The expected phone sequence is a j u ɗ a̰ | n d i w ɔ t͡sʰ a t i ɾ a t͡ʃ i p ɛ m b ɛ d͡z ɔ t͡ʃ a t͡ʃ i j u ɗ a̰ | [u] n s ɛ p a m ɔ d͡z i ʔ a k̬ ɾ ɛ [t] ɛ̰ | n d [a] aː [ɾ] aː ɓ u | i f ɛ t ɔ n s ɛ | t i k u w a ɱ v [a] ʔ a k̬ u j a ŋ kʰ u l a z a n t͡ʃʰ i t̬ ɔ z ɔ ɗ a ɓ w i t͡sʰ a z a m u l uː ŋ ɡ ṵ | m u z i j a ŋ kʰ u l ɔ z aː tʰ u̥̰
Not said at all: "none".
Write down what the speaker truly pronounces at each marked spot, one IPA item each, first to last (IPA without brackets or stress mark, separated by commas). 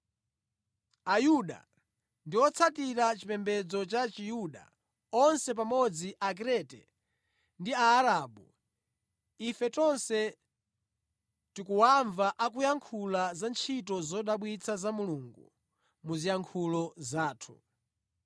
ɔ, t, i, ɾ, a